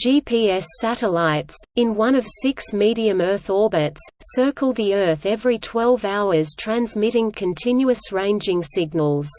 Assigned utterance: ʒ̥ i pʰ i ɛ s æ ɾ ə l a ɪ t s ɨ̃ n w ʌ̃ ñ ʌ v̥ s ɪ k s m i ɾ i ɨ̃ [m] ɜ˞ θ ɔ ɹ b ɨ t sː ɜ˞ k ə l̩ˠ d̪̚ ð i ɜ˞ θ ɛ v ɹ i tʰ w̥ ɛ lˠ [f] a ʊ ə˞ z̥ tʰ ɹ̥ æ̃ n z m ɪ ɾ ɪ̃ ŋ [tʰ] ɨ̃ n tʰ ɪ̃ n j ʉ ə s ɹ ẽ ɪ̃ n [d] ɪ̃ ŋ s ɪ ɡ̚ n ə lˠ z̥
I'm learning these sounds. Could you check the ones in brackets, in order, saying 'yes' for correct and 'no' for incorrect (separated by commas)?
yes, no, no, no